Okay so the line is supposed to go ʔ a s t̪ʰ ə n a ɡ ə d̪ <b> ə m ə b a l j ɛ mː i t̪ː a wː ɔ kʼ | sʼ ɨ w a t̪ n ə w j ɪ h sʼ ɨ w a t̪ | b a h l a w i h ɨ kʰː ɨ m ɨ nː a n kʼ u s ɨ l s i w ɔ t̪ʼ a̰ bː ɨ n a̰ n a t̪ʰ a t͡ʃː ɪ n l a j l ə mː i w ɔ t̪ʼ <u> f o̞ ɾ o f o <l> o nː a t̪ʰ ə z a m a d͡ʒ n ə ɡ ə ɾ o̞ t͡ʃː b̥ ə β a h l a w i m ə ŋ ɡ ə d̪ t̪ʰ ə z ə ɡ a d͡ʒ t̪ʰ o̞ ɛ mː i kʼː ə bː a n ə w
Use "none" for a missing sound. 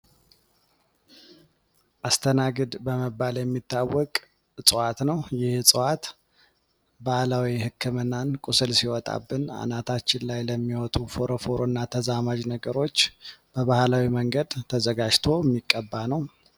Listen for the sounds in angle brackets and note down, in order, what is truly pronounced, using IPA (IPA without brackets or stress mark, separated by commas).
b, u, ɾ